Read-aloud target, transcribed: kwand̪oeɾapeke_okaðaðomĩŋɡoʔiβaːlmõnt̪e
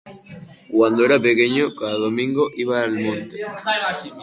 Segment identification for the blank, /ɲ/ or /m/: ɲ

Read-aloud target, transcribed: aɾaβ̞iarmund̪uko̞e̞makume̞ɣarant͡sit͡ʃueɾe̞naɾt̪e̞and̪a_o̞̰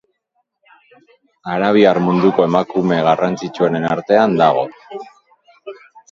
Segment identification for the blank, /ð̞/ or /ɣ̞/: ɣ̞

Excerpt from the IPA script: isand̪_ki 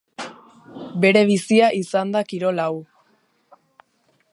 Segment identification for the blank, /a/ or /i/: a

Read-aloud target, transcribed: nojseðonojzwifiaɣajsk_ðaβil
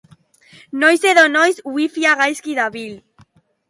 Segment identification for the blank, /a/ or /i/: i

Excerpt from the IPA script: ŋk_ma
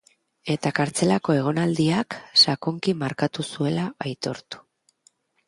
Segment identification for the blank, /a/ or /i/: i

